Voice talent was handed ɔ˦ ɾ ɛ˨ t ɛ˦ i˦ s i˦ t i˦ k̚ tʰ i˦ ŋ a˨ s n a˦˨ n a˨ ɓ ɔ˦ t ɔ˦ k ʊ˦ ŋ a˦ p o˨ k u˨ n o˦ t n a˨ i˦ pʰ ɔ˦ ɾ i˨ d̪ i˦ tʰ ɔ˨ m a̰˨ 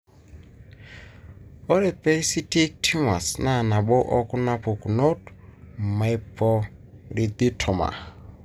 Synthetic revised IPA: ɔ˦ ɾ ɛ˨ p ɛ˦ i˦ s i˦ t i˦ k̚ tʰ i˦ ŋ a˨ s n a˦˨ n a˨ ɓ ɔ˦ ʔ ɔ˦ k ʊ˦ n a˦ p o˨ k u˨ n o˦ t m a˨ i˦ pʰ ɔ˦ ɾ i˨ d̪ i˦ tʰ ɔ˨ m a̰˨